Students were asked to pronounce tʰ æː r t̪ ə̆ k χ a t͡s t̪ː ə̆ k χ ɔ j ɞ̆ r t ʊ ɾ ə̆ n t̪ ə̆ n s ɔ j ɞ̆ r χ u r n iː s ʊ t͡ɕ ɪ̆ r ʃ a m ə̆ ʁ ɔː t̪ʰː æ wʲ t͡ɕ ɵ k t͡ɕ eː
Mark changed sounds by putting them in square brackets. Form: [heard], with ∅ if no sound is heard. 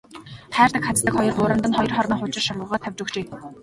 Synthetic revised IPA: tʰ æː r t̪ ə̆ k χ a t͡s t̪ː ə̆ k χ ɔ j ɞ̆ r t ʊ ɾ ə̆ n t̪ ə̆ n [χ] ɔ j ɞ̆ r χ [ɔ] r n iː [χ] ʊ t͡ɕ ɪ̆ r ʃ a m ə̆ ʁ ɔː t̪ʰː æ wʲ t͡ɕ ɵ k t͡ɕ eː